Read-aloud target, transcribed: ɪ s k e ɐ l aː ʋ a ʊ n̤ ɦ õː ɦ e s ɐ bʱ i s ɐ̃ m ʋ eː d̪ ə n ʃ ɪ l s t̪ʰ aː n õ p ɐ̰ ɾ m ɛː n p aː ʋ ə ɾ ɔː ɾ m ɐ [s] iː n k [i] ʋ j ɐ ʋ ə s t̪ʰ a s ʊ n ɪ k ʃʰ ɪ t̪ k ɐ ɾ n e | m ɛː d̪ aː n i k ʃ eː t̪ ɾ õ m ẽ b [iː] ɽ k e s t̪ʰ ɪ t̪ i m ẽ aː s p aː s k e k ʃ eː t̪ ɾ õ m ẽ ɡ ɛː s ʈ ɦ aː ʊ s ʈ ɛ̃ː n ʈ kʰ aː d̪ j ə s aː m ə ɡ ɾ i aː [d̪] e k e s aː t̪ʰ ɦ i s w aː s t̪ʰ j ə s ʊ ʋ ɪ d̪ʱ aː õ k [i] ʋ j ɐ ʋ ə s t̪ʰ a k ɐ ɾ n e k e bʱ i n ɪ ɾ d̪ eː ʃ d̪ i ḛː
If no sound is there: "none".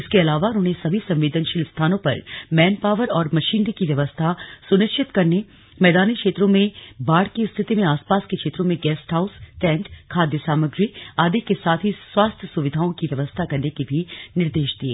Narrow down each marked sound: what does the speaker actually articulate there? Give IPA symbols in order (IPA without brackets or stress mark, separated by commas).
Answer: ʃ, i, aː, d̪, i